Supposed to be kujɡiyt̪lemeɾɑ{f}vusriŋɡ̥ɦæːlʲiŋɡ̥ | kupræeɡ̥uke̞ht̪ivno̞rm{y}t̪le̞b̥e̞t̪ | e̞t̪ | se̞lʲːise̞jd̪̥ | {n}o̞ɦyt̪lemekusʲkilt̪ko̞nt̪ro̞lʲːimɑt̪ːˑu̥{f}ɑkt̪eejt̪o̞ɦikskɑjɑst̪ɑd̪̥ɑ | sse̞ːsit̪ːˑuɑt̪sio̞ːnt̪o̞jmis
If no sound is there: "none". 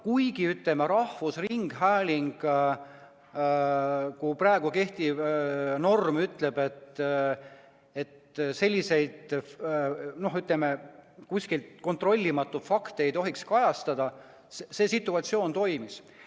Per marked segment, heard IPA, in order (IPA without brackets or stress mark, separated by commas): h, y, n, f